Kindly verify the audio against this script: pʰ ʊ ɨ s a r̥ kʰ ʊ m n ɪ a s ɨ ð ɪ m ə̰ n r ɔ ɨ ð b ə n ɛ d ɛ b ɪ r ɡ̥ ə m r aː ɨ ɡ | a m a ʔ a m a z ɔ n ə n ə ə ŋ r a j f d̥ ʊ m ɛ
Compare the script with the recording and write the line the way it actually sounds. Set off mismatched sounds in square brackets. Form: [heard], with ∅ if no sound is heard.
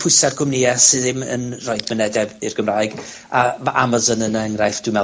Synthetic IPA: pʰ ʊ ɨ s a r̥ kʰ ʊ m n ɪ a s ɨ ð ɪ m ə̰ n r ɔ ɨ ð [m] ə n ɛ d ɛ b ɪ r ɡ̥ ə m r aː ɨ ɡ | a m a ʔ a m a z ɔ n ə n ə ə ŋ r a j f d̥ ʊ m ɛ